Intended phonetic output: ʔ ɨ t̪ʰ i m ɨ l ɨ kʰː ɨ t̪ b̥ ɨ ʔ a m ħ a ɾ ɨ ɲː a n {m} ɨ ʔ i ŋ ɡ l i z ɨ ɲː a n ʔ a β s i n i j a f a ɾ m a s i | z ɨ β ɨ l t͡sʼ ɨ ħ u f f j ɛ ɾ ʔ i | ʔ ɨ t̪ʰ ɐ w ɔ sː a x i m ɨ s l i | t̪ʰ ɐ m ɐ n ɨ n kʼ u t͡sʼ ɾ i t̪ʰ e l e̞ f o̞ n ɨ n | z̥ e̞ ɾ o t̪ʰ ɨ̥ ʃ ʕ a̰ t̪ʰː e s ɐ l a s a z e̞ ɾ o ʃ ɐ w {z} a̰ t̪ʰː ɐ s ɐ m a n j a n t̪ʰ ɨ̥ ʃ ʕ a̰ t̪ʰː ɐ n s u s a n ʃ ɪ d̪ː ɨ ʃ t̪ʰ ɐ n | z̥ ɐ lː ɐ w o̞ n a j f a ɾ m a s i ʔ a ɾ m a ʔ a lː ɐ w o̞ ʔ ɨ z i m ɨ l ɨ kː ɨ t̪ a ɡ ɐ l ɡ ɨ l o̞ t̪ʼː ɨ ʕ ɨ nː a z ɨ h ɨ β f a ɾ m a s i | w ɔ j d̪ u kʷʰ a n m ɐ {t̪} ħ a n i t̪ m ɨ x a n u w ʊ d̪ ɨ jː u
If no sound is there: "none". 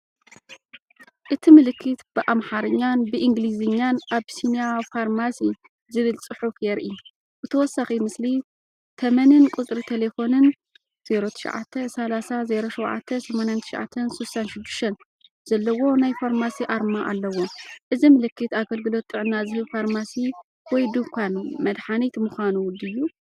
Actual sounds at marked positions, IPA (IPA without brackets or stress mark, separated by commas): b, ʕ, d̪